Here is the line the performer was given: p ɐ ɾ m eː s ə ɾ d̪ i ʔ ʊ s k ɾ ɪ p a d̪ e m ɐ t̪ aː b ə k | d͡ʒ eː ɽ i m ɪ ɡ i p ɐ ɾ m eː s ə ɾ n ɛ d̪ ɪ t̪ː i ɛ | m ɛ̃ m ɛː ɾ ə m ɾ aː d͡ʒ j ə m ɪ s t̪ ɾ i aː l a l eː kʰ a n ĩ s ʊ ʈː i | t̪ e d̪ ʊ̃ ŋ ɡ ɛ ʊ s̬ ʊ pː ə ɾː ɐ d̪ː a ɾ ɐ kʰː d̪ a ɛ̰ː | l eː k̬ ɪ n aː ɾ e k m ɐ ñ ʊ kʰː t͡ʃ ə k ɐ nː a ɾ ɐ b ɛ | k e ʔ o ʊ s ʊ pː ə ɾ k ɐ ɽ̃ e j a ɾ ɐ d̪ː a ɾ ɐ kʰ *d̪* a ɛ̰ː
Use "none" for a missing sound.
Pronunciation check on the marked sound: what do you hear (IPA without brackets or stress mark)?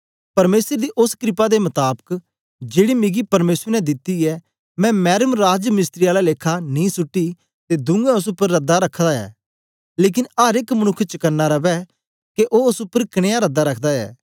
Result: d̪